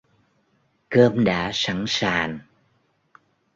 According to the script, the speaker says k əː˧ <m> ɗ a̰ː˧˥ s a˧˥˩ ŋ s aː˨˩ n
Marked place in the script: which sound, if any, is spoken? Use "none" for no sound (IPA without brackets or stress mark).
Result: m